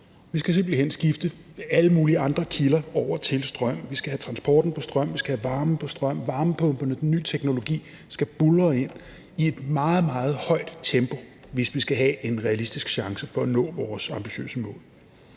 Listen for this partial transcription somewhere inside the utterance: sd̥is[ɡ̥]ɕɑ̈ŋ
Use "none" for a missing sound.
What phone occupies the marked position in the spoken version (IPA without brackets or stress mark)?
ɡ̥